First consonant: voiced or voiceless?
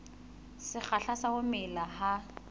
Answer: voiceless